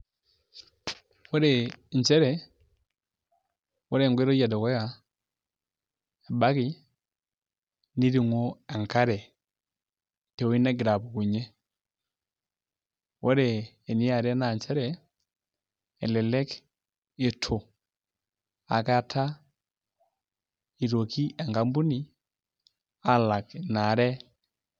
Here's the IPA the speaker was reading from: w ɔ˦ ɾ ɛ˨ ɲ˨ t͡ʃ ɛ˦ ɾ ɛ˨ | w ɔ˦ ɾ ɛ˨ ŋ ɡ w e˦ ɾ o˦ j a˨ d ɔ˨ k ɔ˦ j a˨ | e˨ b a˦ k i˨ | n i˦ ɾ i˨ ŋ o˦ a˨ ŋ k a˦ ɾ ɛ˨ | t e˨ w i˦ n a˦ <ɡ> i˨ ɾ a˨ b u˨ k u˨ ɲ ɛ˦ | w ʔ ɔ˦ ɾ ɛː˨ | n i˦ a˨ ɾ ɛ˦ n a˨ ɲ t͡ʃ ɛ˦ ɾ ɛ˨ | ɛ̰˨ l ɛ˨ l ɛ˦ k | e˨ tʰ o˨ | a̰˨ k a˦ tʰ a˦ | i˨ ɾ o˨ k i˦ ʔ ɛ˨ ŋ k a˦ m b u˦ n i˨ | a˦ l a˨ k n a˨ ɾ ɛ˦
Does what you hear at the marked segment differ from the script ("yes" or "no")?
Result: no